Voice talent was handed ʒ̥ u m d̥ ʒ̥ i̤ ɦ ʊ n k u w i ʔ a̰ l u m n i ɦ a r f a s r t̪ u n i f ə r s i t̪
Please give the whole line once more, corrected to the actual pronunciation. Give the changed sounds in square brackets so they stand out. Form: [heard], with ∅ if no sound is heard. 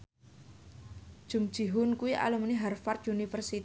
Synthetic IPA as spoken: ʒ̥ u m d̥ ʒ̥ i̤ ɦ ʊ n k u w i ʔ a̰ l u m n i ɦ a r f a [∅] r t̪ u n i f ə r s i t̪